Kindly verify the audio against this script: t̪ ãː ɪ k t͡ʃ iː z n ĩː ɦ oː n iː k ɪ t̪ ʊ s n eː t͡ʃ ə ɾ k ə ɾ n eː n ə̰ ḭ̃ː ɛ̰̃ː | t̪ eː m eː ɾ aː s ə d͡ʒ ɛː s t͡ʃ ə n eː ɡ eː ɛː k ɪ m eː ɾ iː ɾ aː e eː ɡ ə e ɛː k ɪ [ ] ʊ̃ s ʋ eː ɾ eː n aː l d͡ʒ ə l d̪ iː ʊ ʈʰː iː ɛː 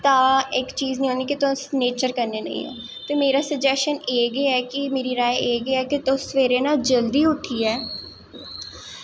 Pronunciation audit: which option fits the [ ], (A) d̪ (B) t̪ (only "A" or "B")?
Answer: B